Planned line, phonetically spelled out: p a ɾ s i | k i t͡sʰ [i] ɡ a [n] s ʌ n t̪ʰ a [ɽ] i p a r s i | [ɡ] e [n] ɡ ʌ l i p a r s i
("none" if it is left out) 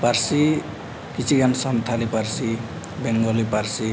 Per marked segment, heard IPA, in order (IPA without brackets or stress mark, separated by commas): i, n, l, b, ŋ